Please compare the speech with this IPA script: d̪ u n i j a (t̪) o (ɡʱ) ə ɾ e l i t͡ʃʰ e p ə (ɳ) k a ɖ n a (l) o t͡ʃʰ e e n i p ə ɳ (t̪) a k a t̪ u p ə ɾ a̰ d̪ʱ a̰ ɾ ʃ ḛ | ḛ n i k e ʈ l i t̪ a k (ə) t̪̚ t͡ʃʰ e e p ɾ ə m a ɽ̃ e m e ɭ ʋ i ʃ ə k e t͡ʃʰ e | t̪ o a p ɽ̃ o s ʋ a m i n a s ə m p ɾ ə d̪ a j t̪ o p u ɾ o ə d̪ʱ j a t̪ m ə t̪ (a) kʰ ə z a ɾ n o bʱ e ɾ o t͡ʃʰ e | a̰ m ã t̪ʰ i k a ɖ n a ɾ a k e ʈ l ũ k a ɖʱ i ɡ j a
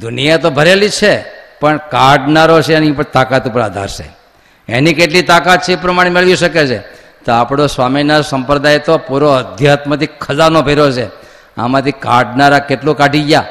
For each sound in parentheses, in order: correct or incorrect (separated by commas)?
correct, incorrect, correct, incorrect, correct, incorrect, incorrect